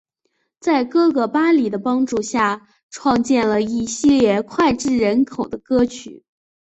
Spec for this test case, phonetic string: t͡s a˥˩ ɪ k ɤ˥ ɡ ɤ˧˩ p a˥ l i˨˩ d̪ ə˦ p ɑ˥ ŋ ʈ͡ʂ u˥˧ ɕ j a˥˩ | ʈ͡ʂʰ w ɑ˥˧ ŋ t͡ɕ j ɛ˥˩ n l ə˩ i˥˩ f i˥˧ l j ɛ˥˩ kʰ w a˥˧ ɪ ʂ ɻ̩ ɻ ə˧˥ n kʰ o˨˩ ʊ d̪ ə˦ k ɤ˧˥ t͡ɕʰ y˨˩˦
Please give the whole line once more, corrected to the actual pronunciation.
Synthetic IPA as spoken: t͡s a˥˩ ɪ k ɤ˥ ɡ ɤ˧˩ p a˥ l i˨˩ d̪ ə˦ p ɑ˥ ŋ ʈ͡ʂ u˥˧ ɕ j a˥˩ | ʈ͡ʂʰ w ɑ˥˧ ŋ t͡ɕ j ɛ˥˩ n l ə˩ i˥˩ ɕ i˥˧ l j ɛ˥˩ kʰ w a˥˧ ɪ ʈ͡ʂ ɻ̩ ɻ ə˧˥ n kʰ o˨˩ ʊ d̪ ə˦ k ɤ˥ t͡ɕʰ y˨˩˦